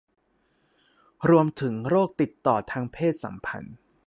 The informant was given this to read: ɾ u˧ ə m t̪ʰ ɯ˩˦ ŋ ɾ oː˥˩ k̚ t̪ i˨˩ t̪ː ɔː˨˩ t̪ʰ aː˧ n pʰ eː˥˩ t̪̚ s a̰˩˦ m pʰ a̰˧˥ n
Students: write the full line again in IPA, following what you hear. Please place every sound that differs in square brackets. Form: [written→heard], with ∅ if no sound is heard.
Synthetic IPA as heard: ɾ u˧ ə m t̪ʰ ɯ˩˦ ŋ ɾ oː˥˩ k̚ t̪ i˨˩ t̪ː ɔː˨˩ t̪ʰ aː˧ [n→ŋ] pʰ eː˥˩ t̪̚ s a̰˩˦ m pʰ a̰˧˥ n